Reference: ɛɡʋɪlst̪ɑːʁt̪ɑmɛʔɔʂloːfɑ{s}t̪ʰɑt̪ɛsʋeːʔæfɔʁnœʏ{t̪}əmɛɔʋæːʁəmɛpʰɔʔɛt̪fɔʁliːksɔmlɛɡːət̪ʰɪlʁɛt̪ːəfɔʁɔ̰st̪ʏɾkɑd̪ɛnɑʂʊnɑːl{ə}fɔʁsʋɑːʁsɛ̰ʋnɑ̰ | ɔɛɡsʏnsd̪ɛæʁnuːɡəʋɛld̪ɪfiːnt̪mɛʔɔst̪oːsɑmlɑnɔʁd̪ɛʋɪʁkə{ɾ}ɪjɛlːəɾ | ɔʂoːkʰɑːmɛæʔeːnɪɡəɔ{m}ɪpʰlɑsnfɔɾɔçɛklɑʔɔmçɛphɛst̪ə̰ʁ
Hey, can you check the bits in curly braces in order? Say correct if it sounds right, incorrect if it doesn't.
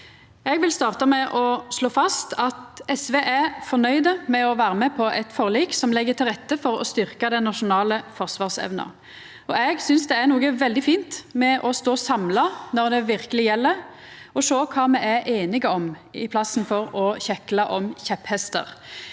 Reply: correct, incorrect, correct, incorrect, correct

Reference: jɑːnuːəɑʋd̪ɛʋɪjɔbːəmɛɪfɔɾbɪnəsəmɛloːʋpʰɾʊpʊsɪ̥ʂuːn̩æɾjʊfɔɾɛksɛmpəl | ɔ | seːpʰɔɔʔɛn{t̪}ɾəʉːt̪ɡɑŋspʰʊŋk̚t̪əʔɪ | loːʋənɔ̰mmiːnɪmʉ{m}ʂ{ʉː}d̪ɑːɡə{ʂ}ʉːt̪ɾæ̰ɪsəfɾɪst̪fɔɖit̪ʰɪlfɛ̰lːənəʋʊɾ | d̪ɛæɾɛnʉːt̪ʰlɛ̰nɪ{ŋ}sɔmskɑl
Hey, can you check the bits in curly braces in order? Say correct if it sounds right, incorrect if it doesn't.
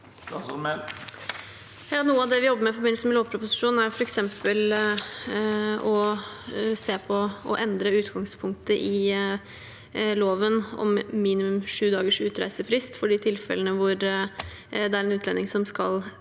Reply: incorrect, correct, correct, correct, correct

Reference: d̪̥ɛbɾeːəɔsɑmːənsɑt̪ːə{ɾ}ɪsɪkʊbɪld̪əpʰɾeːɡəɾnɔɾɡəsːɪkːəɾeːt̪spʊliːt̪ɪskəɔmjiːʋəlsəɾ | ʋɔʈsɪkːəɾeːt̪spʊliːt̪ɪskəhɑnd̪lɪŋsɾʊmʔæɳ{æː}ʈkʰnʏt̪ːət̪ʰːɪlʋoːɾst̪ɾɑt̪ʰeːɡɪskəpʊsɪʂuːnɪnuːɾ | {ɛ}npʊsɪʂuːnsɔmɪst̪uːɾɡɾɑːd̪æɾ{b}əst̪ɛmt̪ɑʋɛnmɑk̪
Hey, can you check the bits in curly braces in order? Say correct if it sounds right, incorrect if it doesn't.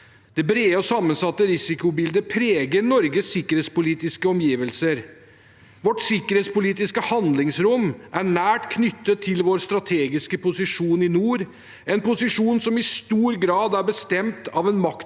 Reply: correct, correct, correct, correct

